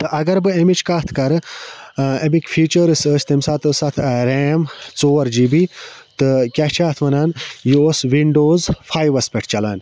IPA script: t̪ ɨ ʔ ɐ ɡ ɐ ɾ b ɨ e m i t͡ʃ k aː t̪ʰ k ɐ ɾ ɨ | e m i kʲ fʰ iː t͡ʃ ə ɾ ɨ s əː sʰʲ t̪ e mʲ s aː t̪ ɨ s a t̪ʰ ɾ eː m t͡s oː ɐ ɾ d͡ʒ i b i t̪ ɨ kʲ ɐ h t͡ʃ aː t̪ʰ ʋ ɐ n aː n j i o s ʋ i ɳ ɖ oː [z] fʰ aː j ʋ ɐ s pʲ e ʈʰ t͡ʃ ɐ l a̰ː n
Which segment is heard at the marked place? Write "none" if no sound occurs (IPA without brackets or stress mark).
z